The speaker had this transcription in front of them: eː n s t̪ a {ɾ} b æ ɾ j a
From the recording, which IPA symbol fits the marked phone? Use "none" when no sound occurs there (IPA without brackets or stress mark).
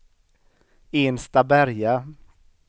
none